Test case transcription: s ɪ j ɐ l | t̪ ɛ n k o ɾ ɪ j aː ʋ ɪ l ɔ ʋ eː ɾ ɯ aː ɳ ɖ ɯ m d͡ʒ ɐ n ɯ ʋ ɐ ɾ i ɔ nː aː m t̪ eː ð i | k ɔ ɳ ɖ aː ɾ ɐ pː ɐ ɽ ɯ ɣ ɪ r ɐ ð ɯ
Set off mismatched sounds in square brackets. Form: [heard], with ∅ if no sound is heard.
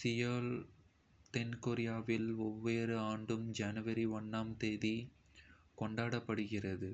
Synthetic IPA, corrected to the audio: s ɪ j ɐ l | t̪ ɛ n k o ɾ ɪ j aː ʋ ɪ l ɔ [ʋː] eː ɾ ɯ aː ɳ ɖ ɯ m d͡ʒ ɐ n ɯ ʋ ɐ ɾ i ɔ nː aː m t̪ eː ð i | k ɔ ɳ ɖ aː [ɽ] ɐ pː ɐ ɽ ɯ ɣ ɪ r ɐ ð ɯ